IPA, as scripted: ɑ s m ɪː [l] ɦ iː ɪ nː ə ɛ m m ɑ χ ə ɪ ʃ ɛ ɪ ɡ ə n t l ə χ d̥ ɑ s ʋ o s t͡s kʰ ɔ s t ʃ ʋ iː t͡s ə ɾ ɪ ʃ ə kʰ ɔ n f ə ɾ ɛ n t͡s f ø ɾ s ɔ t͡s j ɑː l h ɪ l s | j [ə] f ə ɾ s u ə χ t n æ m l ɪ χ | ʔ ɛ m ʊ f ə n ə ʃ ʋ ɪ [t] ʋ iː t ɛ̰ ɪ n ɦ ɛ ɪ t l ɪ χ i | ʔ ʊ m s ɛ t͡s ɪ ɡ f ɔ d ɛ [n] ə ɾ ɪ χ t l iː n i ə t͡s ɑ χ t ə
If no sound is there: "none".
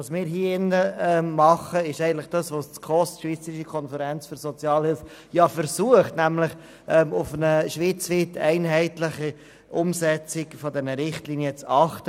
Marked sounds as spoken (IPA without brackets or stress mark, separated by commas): ɾ, ɑ, t͡s, n